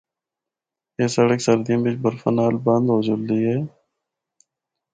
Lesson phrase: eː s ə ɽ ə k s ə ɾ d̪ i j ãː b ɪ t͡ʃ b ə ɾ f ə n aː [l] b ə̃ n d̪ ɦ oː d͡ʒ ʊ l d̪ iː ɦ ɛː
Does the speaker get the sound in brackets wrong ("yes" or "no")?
no